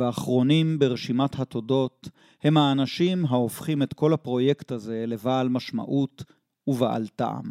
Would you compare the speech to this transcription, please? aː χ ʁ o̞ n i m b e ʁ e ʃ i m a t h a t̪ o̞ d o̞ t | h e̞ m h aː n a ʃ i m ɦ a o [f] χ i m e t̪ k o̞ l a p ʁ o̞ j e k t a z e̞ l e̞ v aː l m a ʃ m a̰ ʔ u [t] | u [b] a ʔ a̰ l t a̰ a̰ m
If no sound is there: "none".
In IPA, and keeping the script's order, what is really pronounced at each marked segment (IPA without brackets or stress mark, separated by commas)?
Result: f, t, v